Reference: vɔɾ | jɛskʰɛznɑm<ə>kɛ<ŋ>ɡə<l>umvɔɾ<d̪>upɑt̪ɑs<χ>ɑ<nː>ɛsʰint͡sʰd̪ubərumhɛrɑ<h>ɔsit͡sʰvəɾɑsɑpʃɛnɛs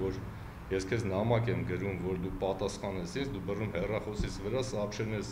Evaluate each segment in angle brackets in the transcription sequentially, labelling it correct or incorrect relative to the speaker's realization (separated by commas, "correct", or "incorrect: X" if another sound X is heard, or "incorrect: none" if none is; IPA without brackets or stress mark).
incorrect: ɑ, incorrect: m, incorrect: ɾ, correct, correct, incorrect: n, incorrect: χ